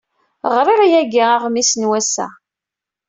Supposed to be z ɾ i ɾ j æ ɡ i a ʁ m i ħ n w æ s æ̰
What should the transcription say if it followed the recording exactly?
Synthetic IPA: ʁ ɾ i ɾ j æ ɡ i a ʁ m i s n w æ s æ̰